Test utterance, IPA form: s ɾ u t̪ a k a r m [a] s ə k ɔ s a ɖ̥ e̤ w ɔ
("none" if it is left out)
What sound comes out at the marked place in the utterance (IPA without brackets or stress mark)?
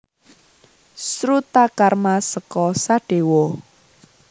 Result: a